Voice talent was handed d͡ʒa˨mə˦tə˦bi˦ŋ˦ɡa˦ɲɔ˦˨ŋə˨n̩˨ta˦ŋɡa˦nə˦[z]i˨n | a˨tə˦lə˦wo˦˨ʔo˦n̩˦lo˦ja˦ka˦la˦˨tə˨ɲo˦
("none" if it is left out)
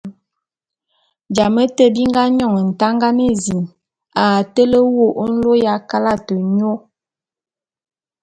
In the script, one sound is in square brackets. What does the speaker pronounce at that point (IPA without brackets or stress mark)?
z